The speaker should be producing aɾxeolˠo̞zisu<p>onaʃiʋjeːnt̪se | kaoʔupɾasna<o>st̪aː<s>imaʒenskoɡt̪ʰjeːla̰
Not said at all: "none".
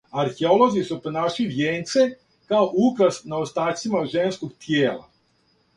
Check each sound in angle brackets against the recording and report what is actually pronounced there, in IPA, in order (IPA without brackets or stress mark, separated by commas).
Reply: p, o, s